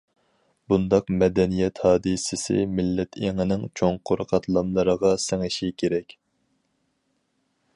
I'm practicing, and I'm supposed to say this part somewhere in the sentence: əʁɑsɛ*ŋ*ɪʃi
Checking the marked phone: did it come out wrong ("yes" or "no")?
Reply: no